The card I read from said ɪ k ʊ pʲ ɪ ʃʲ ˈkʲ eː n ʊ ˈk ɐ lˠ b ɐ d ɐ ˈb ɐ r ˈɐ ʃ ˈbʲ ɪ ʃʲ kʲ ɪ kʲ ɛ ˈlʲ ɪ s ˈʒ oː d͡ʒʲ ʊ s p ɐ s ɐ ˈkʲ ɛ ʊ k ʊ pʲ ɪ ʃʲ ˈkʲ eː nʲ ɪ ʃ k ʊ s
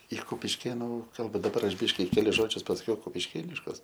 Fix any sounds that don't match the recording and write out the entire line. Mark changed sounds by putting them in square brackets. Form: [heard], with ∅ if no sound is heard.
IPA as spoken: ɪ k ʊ pʲ ɪ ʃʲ ˈkʲ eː n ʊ ˈk ɐ lˠ b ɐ d ɐ ˈb ɐ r ˈɐ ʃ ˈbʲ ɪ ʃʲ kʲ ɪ kʲ ɛ ˈlʲ ɪ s ˈʒ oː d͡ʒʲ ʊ s p ɐ s ɐ ˈkʲ ɛ ʊ k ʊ pʲ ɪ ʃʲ ˈkʲ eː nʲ ɪ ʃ k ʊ s